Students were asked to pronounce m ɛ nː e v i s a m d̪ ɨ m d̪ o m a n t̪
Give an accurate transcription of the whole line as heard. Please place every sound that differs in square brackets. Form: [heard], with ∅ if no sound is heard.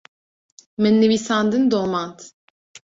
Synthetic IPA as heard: m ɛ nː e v i s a [n] d̪ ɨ [n] d̪ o m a n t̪

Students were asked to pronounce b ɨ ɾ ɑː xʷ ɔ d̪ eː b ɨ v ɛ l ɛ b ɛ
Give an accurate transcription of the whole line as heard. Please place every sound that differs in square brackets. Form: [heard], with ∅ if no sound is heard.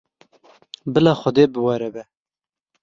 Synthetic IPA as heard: b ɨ [l] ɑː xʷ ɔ d̪ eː b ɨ [w] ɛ [ɾ] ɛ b ɛ

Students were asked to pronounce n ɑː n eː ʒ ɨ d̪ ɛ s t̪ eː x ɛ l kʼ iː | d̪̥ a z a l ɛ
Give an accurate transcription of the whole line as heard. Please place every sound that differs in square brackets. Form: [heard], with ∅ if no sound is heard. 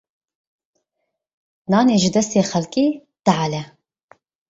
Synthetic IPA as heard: n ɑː n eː ʒ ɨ d̪ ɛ s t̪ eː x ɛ l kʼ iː | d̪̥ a [ʕ] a l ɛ

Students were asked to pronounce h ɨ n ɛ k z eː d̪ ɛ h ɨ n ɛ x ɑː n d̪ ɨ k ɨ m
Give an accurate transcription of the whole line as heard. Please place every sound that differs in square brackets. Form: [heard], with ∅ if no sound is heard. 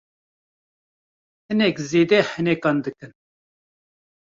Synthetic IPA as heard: h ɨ n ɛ k z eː d̪ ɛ h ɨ n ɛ [k] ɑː n d̪ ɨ k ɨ [n]

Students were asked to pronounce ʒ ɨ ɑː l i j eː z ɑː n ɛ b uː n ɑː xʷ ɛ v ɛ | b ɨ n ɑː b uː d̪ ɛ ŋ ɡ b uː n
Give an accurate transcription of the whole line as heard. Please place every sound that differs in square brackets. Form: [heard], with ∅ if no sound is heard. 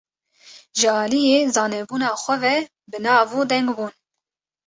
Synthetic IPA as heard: ʒ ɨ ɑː l i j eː z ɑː n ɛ b uː n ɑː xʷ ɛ v ɛ | b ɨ n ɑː [v] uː d̪ ɛ ŋ ɡ b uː n

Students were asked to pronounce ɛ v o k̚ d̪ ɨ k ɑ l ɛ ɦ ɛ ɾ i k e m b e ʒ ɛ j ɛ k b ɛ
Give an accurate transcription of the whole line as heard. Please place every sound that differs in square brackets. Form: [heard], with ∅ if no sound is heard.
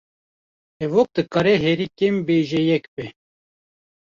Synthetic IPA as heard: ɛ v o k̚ d̪ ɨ k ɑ [ɾ] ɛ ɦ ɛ ɾ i k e m b e ʒ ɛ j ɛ k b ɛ

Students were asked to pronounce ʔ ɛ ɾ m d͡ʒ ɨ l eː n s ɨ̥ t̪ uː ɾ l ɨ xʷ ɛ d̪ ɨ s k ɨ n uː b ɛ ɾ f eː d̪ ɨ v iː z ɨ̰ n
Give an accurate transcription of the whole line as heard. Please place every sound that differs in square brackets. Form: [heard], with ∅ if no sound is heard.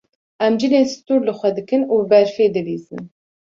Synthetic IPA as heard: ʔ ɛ [∅] m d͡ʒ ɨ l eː n s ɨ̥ t̪ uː ɾ l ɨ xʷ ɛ d̪ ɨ [∅] k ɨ n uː b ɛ ɾ f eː d̪ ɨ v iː z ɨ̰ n

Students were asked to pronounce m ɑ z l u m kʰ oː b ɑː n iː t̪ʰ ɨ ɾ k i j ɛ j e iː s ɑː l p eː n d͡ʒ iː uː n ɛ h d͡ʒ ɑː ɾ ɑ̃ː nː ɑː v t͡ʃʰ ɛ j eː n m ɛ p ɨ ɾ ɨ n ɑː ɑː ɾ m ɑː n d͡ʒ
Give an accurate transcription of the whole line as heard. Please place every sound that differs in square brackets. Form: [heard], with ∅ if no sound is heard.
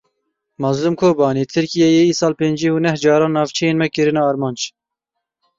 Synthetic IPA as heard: m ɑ z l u m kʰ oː b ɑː n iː t̪ʰ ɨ ɾ k i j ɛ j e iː s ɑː l p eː n d͡ʒ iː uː n ɛ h d͡ʒ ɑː ɾ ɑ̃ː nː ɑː v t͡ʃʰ ɛ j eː n m ɛ [k] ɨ ɾ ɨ n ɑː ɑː ɾ m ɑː n d͡ʒ

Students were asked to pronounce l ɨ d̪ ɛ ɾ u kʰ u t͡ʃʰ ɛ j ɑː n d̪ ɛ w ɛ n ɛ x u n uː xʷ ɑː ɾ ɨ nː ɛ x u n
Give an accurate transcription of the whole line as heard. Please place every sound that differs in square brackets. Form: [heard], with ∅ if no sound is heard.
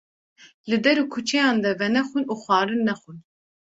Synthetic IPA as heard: l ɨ d̪ ɛ ɾ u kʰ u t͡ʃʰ ɛ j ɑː n d̪ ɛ [v] ɛ n ɛ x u n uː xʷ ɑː ɾ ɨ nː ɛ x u n

